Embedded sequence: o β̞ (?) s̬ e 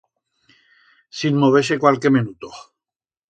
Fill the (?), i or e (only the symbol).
e